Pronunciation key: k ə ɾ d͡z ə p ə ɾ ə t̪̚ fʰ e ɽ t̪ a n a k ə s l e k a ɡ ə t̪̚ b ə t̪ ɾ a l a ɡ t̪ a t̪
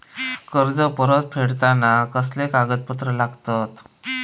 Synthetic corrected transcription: k ə ɾ d͡z ə p ə ɾ ə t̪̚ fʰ e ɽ t̪ a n a k ə s l e k a ɡ ə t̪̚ p ə t̪ ɾ ə l a ɡ t̪ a t̪